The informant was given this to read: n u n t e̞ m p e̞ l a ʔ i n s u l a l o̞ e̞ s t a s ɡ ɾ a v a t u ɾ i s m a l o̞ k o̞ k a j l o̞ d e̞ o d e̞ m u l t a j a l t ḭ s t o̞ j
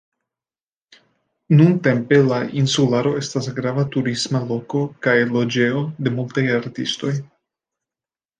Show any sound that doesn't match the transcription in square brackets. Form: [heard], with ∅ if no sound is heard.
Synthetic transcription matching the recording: n u n t e̞ m p e̞ l a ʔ i n s u l a [ɾ] o̞ e̞ s t a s ɡ ɾ a v a t u ɾ i s m a l o̞ k o̞ k a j l o̞ [d͡ʒ] e̞ o d e̞ m u l t a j a [ɾ] t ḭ s t o̞ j